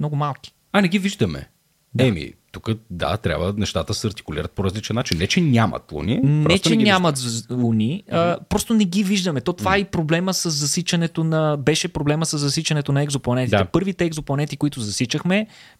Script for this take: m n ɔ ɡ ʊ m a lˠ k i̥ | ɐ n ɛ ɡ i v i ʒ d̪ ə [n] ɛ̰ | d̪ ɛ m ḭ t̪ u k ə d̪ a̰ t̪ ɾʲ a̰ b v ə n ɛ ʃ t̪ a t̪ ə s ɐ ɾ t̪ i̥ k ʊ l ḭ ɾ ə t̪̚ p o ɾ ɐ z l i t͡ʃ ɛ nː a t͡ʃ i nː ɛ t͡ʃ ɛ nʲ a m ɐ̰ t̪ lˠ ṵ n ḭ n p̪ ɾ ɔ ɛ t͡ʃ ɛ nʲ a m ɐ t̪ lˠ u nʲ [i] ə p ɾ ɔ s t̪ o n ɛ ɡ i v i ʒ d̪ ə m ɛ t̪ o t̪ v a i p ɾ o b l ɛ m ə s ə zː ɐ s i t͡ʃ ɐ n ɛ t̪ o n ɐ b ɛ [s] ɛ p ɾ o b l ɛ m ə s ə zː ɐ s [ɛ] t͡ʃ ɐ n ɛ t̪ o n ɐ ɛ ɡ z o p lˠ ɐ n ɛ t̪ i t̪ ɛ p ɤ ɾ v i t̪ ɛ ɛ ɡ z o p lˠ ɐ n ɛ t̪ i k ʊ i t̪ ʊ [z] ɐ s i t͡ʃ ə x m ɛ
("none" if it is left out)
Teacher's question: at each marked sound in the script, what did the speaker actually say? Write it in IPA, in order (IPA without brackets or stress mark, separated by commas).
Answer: m, i, ʃ, i, z